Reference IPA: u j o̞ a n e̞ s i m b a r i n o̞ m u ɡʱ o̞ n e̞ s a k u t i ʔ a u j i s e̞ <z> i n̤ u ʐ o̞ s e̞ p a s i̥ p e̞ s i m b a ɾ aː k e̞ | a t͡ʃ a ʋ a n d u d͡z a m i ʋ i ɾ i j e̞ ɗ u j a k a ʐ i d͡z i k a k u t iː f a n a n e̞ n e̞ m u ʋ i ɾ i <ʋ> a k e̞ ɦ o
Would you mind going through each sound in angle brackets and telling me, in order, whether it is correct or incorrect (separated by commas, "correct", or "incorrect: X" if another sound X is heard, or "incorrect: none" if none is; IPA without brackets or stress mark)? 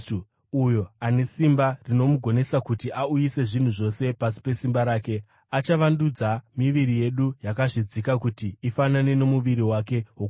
incorrect: ʐ, incorrect: w